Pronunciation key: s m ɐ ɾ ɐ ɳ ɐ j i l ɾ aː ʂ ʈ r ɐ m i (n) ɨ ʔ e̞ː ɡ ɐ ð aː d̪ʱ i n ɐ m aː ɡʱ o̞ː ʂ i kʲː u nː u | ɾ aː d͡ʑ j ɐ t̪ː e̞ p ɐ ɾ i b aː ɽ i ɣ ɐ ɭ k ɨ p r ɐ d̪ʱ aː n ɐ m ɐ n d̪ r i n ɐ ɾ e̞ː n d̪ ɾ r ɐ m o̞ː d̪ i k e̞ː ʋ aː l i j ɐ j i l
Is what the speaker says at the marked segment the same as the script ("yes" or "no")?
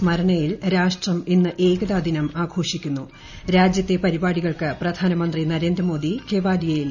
no